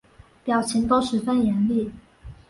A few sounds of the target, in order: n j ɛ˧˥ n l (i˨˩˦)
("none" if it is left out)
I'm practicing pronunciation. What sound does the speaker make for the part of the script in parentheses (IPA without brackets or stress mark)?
i˥˩